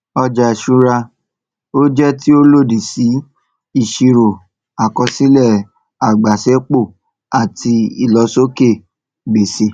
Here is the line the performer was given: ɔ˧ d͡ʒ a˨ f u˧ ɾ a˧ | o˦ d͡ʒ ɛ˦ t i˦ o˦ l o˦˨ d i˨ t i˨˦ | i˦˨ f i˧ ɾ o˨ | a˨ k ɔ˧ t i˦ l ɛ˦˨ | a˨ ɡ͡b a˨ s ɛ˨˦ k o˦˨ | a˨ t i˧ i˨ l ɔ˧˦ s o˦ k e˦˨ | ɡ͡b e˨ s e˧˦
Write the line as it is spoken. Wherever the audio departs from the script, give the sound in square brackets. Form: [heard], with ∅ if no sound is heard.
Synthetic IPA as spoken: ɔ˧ d͡ʒ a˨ [ʃ] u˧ ɾ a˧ | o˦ d͡ʒ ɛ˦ t i˦ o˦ l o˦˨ d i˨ [s] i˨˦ | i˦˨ [ʃ] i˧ ɾ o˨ | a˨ k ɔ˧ [s] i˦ l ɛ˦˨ | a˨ ɡ͡b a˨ s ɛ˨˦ [k͡p] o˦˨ | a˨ t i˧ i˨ l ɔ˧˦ s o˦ k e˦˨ | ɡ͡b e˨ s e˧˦